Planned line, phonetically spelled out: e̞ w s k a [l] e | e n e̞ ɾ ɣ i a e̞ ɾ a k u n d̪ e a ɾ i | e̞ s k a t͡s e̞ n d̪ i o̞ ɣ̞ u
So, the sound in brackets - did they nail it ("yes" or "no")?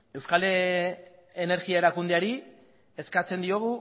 yes